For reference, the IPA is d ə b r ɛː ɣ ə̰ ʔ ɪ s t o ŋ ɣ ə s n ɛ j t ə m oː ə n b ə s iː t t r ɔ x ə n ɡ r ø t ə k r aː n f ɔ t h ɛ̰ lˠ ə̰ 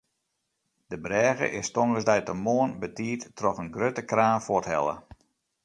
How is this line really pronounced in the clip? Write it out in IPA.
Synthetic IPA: d ə b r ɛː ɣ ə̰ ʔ ɪ s t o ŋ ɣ ə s d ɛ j t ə m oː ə n b ə t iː t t r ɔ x ə n ɡ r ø t ə k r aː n f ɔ t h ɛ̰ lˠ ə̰